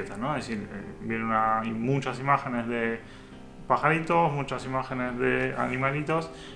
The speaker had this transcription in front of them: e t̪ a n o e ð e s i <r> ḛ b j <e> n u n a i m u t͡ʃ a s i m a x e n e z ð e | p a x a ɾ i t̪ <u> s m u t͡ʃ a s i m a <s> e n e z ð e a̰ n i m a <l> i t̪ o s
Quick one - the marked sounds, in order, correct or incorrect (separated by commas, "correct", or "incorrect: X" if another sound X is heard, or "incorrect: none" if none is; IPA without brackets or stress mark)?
incorrect: ɾ, correct, incorrect: o, incorrect: x, correct